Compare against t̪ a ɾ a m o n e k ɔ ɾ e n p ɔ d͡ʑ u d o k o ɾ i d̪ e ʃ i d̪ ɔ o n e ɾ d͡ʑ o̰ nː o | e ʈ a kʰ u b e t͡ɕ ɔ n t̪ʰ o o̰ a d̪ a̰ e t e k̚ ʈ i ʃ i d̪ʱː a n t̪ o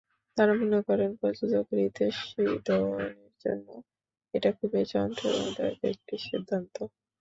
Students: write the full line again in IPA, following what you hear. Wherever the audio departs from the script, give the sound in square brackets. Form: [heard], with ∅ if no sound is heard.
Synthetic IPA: t̪ a ɾ a m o n e k ɔ ɾ e n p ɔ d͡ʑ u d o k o ɾ i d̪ e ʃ i d̪ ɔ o n e ɾ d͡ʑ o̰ nː o | e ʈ a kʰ u b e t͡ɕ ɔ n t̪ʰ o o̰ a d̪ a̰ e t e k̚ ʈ i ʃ i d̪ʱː a n t̪ o